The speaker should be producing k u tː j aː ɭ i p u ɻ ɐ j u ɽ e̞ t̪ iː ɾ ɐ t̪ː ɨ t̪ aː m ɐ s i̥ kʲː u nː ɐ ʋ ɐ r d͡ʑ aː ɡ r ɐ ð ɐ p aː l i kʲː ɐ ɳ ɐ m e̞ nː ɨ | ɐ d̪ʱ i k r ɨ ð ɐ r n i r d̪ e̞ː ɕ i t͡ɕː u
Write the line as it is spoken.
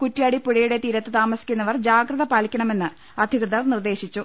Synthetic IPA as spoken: k u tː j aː ɽ i p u ɻ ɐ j u ɽ e̞ t̪ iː ɾ ɐ t̪ː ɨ t̪ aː m ɐ s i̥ kʲː u nː ɐ ʋ ɐ r d͡ʑ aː ɡ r ɐ ð ɐ p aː l i kʲː ɐ ɳ ɐ m e̞ nː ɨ | ɐ d̪ʱ i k r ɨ ð ɐ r n i r d̪ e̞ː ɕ i t͡ɕː u